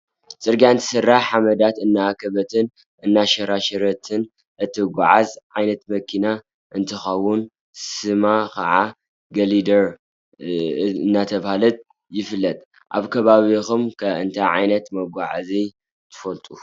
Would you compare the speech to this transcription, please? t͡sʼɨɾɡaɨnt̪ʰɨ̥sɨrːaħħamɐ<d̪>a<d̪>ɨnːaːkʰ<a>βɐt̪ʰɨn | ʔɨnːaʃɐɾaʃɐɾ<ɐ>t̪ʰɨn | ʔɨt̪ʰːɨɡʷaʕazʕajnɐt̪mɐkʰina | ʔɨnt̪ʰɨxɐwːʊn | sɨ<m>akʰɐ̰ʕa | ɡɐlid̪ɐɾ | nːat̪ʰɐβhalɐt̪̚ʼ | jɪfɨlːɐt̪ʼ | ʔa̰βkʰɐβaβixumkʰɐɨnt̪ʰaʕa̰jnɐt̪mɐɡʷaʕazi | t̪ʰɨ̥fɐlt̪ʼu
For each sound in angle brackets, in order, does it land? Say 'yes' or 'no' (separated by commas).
yes, no, no, yes, yes